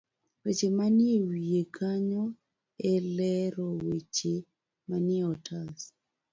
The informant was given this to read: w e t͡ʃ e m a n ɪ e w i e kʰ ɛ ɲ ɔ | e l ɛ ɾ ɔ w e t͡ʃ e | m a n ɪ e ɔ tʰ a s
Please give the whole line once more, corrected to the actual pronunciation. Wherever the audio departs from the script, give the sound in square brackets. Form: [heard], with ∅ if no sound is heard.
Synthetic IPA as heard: w e t͡ʃ e m a n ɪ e w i e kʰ [a] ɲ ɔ | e l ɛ ɾ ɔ w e t͡ʃ e | m a n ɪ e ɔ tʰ a s